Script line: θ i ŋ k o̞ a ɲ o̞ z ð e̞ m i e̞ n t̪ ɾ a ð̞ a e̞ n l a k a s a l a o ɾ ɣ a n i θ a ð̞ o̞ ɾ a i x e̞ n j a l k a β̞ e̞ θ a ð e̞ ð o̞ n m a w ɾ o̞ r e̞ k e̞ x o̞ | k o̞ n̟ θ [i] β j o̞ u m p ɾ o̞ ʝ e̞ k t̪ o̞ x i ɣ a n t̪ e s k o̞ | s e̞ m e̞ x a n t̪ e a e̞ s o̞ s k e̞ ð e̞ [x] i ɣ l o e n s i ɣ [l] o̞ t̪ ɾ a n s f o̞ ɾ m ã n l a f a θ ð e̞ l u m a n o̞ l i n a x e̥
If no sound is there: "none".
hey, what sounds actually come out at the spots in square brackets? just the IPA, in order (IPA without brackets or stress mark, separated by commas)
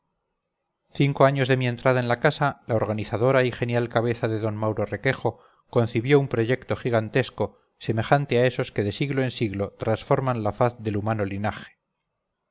i, s, l